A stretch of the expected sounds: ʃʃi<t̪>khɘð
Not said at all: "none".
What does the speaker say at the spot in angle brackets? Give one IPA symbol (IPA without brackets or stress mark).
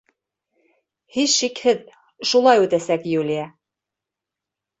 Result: none